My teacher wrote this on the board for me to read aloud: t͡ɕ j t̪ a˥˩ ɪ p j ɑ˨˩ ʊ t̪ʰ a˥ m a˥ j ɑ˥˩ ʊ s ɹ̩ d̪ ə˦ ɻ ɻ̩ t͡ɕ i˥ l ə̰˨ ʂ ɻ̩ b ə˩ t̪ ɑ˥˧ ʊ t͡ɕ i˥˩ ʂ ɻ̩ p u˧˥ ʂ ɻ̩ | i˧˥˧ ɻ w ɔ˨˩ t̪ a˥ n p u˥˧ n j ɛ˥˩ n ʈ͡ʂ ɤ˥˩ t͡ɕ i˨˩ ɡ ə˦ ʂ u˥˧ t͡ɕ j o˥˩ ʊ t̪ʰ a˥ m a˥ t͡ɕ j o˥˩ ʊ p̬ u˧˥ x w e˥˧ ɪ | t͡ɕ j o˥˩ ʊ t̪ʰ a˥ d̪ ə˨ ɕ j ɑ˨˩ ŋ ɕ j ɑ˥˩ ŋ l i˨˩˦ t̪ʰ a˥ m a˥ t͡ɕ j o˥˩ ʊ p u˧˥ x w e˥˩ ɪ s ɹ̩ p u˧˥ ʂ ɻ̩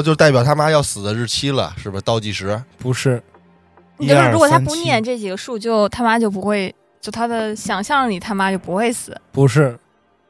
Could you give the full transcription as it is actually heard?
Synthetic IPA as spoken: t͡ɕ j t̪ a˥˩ ɪ p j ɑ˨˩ ʊ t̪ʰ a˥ m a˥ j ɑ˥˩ ʊ s ɹ̩ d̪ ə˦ ɻ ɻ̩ t͡ɕʰ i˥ l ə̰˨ ʂ ɻ̩ b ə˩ t̪ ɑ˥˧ ʊ t͡ɕ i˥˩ ʂ ɻ̩ p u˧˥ ʂ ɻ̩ | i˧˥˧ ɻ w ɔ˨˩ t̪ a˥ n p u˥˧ n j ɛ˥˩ n ʈ͡ʂ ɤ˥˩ t͡ɕ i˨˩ ɡ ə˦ ʂ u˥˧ t͡ɕ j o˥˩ ʊ t̪ʰ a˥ m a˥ t͡ɕ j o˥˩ ʊ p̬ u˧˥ x w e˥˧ ɪ | t͡ɕ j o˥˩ ʊ t̪ʰ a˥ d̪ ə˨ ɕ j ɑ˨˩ ŋ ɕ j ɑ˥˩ ŋ l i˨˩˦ t̪ʰ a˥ m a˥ t͡ɕ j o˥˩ ʊ p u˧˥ x w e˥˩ ɪ s ɹ̩ p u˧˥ ʂ ɻ̩